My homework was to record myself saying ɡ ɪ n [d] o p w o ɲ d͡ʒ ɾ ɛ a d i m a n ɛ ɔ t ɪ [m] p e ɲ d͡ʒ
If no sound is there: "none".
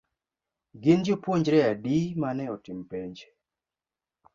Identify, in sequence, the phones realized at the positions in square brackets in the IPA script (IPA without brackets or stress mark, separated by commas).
d͡ʒ, m